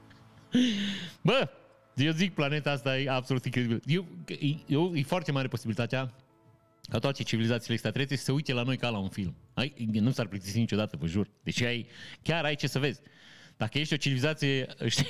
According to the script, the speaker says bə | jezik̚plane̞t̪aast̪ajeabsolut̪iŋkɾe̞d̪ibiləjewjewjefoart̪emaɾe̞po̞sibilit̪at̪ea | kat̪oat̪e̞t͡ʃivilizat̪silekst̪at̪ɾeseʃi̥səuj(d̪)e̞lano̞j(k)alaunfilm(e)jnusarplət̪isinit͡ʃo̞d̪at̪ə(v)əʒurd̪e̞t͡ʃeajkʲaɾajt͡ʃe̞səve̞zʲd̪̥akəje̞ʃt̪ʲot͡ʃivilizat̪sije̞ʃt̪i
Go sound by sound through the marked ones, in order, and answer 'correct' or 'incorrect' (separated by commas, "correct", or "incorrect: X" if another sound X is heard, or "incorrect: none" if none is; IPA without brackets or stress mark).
incorrect: t̪, correct, incorrect: a, correct